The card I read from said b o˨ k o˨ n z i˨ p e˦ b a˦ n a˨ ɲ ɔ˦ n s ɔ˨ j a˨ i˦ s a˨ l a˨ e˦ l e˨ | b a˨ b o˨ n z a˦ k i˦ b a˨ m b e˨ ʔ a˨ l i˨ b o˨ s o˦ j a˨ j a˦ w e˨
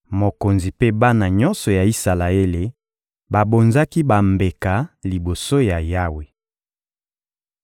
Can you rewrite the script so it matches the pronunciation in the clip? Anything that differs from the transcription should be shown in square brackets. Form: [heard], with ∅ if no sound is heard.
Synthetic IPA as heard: [m] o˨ k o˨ n z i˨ p e˦ b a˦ n a˨ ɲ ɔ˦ n s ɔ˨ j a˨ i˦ s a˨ l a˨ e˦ l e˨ | b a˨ b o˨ n z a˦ k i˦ b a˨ m b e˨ [k] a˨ l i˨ b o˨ s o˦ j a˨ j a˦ w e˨